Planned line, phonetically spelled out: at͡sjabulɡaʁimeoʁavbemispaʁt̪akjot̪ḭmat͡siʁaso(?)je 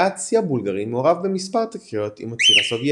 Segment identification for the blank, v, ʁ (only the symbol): v